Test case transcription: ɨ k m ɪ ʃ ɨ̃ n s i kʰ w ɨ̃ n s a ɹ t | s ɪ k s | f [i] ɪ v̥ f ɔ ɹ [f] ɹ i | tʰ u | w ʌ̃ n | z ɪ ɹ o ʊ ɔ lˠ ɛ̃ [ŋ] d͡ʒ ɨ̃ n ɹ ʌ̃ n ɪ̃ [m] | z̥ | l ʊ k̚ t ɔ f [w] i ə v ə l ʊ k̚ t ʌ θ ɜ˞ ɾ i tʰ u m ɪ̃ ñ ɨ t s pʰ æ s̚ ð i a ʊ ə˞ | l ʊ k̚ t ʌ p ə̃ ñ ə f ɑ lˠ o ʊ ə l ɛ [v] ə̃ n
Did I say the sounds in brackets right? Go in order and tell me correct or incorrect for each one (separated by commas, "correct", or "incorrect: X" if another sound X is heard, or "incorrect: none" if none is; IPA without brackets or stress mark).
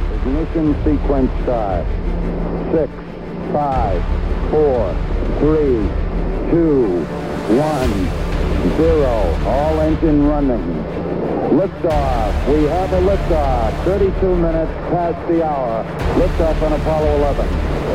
incorrect: a, incorrect: θ, incorrect: n, incorrect: ŋ, correct, correct